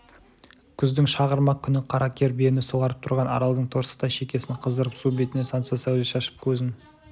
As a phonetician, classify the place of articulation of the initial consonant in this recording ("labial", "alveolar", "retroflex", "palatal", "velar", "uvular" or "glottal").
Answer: velar